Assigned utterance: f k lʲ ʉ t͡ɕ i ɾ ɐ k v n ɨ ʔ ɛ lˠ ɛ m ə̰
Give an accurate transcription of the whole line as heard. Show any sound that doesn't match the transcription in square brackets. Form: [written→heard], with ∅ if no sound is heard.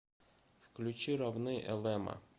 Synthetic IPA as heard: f k lʲ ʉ t͡ɕ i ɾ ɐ [k→∅] v n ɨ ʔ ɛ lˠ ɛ m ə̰